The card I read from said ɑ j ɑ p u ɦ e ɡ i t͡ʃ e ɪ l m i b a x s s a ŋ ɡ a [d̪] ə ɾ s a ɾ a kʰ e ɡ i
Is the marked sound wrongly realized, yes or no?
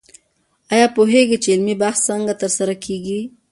yes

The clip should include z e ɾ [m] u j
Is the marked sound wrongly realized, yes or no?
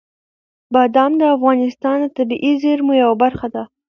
no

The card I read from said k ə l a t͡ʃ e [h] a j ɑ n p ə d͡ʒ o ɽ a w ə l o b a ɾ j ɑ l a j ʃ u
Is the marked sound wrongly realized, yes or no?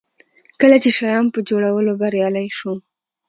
yes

